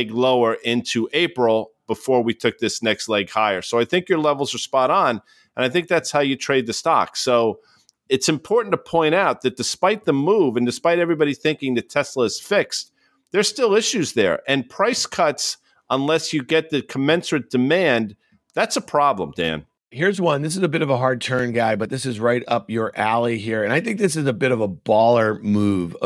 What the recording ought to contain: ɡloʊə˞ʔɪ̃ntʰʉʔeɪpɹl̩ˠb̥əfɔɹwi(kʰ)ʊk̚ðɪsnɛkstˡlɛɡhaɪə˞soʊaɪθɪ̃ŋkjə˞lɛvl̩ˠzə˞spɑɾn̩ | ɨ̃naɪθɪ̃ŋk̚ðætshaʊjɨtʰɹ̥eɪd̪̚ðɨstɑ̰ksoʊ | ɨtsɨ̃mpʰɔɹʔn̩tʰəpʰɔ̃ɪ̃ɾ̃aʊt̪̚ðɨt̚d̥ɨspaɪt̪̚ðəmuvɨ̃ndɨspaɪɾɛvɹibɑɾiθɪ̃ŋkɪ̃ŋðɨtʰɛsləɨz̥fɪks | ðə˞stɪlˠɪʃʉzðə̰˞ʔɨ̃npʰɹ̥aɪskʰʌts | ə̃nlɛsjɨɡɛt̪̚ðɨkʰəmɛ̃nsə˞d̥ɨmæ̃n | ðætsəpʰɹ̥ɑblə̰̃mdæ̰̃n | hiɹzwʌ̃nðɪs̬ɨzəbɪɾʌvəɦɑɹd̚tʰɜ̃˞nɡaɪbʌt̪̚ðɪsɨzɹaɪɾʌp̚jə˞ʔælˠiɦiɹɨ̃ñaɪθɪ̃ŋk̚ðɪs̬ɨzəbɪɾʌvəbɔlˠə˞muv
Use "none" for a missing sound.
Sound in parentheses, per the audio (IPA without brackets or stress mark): tʰ